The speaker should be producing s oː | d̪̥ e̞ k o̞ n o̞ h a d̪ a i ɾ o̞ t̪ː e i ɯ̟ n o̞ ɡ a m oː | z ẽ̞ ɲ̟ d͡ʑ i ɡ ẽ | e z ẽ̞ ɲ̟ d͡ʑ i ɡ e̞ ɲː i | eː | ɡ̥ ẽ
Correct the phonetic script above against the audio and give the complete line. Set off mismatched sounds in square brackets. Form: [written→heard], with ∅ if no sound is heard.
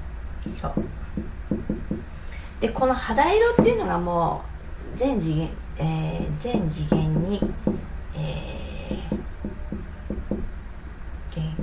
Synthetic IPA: s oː | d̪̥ e̞ k o̞ n o̞ h a d̪ a i ɾ o̞ t̪ː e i ɯ̟ n o̞ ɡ a m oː | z ẽ̞ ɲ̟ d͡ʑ i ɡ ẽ | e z ẽ̞ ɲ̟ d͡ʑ i ɡ [e̞→ẽ̞] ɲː i | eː | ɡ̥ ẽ